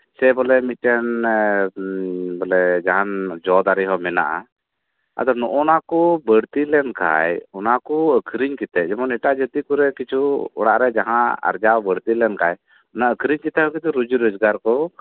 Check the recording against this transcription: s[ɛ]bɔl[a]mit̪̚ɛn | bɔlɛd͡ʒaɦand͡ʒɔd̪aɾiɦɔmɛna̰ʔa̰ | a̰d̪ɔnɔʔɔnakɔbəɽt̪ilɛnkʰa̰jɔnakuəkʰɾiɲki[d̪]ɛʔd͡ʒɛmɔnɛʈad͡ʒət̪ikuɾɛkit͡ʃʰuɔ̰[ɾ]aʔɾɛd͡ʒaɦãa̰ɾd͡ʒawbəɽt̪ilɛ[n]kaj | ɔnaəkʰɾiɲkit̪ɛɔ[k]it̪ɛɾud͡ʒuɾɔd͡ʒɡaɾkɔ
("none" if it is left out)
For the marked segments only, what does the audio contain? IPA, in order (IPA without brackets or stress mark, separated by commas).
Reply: ɛ, ɛ, t̪, ɽ, n, k